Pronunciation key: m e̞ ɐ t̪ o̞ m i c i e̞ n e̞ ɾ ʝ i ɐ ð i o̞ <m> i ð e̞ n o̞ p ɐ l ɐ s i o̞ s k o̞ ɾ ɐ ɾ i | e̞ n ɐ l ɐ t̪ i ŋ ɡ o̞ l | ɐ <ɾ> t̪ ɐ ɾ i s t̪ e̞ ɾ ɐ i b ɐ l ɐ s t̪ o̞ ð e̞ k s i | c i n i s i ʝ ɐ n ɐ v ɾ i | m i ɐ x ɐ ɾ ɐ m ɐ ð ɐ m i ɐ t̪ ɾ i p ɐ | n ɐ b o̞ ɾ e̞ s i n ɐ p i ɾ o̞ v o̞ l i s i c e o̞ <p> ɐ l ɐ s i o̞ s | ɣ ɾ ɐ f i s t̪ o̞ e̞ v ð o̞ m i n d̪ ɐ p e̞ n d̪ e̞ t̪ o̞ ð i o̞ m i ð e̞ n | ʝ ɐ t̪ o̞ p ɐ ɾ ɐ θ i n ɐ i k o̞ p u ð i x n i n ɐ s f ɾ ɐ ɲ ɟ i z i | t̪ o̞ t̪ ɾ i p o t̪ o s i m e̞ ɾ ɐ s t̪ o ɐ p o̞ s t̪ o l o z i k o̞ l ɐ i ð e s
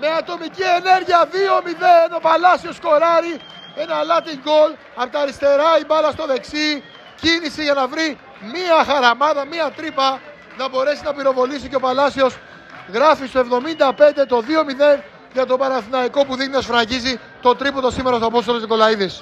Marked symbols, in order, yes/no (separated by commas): yes, yes, yes